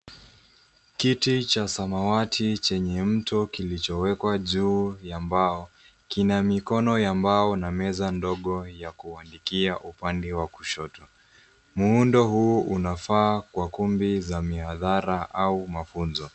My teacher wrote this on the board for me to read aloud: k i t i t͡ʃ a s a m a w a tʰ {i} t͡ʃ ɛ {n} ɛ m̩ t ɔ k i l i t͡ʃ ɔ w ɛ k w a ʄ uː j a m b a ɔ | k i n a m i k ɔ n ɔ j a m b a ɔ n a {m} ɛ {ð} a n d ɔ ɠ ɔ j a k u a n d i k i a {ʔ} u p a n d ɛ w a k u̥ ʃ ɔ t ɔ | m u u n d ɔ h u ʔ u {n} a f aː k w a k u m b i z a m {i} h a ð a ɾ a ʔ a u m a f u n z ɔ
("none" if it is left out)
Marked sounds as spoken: i, ɲ, m, z, ʔ, n, i

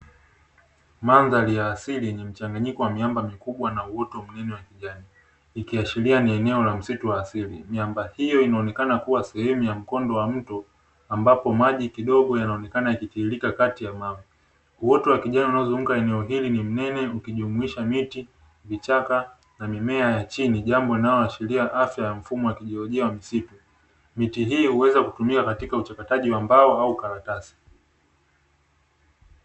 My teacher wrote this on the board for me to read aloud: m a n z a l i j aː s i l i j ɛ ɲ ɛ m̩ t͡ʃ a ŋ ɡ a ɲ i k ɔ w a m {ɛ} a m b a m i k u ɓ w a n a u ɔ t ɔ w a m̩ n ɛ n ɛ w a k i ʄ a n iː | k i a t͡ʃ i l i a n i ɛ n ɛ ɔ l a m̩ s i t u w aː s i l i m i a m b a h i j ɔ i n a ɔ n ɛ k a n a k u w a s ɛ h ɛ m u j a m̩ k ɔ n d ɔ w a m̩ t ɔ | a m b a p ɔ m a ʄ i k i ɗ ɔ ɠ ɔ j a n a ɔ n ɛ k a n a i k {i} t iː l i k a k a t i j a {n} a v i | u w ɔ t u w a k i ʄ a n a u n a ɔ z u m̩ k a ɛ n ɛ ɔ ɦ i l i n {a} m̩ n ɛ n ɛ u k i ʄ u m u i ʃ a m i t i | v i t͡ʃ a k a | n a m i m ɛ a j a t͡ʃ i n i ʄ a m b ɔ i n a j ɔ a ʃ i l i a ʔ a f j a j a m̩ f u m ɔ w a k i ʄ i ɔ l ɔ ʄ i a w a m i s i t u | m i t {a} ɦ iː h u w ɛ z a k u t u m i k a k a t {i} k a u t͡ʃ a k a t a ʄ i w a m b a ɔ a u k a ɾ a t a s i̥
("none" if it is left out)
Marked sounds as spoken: i, i, m, i, i, i

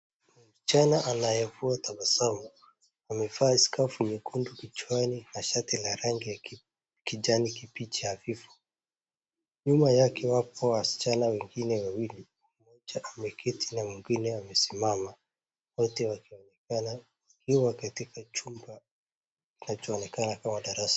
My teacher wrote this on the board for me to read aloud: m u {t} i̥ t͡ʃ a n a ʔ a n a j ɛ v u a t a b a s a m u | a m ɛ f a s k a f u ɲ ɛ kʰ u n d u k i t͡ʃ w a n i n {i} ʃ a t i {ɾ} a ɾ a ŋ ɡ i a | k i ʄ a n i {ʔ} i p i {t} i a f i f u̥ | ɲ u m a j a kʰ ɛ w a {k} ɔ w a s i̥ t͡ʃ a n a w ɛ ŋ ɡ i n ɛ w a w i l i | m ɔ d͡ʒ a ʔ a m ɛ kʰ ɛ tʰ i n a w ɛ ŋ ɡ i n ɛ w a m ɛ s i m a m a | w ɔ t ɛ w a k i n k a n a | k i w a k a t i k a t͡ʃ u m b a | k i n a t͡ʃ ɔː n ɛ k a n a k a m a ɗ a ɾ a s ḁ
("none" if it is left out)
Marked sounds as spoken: s, a, l, k, t͡ʃ, p

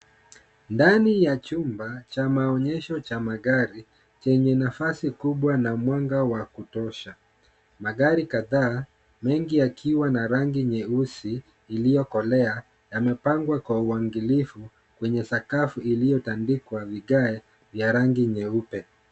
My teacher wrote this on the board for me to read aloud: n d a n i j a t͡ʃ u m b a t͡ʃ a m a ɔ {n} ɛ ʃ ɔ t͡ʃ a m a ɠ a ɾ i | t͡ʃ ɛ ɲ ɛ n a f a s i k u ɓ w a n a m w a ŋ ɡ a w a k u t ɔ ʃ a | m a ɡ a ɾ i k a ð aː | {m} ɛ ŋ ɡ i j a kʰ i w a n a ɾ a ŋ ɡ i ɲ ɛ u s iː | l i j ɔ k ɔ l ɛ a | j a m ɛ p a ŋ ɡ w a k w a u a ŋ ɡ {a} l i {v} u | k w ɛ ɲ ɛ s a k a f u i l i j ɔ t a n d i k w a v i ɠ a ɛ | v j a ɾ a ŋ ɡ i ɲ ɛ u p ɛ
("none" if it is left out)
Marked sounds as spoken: ɲ, m, i, f

